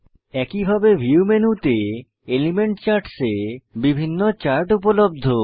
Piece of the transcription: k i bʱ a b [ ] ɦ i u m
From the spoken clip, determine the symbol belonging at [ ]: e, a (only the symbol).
e